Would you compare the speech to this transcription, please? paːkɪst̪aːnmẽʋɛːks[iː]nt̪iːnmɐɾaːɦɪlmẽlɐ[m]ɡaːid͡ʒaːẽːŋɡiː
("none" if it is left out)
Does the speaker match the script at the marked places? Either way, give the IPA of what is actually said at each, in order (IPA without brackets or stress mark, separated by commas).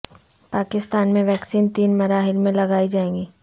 iː, none